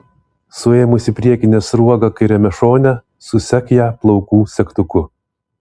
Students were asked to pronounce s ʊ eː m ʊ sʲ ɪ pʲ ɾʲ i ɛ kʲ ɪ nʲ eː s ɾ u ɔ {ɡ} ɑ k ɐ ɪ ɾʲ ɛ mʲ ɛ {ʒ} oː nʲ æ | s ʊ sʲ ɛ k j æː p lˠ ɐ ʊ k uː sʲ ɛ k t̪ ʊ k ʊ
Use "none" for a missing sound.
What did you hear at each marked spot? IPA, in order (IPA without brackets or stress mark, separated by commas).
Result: ɡ, ʃ